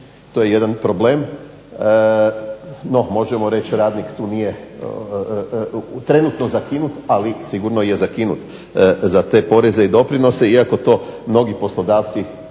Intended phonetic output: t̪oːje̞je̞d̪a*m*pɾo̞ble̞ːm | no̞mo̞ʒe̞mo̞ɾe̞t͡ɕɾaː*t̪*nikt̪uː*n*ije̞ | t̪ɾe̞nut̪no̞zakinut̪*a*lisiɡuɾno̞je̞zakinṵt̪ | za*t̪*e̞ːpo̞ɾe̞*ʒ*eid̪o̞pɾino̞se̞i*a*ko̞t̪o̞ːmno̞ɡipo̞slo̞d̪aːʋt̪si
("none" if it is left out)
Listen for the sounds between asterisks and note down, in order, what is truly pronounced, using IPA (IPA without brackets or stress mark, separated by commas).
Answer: n, d̪, n, a, t̪, z, a